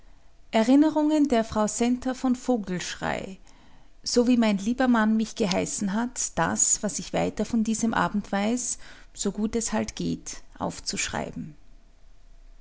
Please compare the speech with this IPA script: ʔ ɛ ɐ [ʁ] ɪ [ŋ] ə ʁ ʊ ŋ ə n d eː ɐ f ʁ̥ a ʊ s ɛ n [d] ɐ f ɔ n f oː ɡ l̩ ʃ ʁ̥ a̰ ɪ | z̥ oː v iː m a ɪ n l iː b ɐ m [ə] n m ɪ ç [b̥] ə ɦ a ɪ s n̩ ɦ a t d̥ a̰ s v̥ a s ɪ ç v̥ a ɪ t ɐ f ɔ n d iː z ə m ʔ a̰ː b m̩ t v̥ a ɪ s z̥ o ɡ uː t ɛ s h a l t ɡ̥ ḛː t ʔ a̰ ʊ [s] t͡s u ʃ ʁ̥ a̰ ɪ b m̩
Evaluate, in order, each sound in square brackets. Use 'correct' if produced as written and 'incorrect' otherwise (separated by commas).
correct, incorrect, incorrect, incorrect, incorrect, incorrect